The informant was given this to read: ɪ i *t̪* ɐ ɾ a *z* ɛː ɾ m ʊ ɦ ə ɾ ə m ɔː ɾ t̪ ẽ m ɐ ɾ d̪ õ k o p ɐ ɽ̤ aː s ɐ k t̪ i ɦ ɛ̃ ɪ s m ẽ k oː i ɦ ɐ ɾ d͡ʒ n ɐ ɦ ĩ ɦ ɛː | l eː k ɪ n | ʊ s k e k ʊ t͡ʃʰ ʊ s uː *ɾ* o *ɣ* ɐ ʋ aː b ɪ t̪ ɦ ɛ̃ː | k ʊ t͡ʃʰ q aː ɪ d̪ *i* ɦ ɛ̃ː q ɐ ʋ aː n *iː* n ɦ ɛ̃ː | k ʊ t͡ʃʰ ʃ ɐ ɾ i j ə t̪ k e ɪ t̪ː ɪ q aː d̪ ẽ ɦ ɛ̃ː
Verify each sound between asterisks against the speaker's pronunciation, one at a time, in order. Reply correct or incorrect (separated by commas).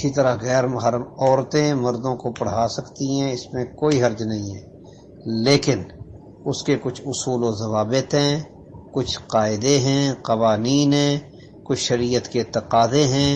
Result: correct, incorrect, incorrect, incorrect, incorrect, correct